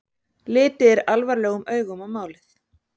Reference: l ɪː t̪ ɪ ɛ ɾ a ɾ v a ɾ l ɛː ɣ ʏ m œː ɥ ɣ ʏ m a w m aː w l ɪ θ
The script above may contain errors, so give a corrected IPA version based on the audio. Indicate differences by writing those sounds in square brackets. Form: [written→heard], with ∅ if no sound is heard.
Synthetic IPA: l ɪː t̪ ɪ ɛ ɾ a [ɾ→l] v a ɾ l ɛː ɣ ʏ m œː ɥ ɣ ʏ m a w m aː w l ɪ θ